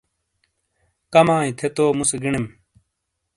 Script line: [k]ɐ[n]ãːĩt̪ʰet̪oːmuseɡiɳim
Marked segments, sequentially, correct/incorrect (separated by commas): correct, incorrect